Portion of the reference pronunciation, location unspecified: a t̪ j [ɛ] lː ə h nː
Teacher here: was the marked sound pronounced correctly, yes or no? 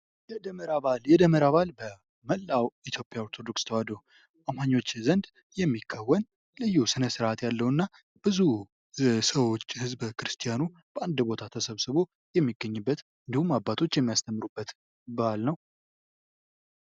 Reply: no